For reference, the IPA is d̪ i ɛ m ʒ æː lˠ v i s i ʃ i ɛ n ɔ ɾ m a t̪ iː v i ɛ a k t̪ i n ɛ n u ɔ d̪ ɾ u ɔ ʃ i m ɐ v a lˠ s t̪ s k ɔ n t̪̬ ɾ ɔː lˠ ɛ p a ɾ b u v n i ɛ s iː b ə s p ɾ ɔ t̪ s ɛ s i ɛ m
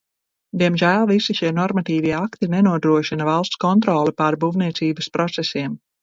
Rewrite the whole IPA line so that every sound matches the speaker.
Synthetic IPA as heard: d̪ i ɛ m ʒ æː lˠ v i s i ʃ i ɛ n ɔ ɾ m a t̪ iː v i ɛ a k t̪ i n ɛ n u ɔ d̪ ɾ u ɔ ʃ i n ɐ v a lˠ s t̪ s k ɔ n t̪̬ ɾ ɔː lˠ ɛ p a ɾ b u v n i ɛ s iː b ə s p ɾ ɔ t̪ s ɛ s i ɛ m